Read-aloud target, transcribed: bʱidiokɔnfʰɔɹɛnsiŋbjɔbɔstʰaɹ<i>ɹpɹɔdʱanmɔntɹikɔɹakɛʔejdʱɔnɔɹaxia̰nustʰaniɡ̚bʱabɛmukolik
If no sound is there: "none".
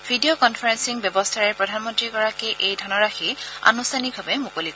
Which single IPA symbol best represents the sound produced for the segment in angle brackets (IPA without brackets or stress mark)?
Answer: ɛ